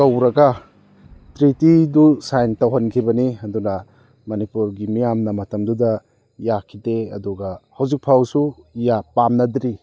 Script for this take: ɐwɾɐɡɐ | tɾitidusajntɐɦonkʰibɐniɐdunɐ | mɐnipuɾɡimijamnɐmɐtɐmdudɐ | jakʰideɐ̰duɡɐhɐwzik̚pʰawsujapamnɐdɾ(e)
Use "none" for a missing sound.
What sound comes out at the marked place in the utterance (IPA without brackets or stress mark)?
i